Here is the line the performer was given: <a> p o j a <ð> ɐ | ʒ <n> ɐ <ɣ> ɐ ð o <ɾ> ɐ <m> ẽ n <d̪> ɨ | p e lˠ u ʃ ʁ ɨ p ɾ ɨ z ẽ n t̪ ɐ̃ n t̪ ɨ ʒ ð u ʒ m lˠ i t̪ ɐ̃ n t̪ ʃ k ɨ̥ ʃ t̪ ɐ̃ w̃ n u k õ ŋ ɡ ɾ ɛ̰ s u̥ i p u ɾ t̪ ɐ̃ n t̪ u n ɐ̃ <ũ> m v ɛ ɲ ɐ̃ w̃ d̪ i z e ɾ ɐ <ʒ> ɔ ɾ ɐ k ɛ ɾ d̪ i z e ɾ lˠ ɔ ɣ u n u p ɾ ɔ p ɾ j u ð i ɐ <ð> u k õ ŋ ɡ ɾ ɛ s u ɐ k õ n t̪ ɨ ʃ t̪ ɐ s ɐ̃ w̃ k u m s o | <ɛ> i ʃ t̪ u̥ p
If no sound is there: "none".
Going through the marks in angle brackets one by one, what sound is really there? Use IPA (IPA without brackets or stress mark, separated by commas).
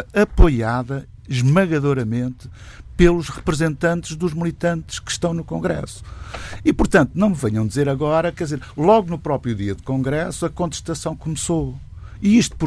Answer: ɐ, ð, m, ɣ, ɾ, m, t̪, w̃, ɣ, ð, i